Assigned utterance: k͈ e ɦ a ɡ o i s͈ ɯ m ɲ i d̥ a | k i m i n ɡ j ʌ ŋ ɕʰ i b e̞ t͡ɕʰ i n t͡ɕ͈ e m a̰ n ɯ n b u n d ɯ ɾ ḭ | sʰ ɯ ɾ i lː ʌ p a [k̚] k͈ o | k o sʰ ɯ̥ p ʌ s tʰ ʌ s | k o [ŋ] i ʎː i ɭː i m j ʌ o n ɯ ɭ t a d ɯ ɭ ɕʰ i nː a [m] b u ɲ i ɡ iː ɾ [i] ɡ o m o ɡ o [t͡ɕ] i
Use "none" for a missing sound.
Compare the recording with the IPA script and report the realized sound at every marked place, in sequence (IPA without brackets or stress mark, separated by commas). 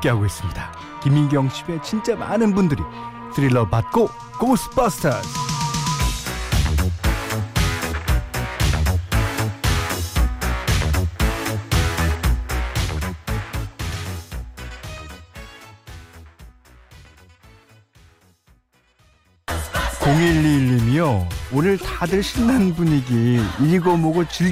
t̚, ŋ, n, i, t͡ɕ